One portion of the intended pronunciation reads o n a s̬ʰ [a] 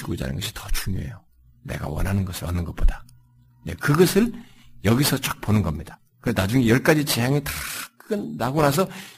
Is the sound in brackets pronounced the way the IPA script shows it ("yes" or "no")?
no